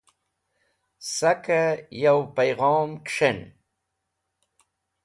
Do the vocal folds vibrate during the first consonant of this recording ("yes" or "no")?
no